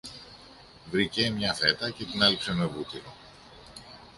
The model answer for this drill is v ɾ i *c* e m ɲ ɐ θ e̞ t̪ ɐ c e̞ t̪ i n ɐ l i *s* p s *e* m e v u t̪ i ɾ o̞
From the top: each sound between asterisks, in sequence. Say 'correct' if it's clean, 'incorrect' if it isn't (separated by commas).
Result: correct, incorrect, correct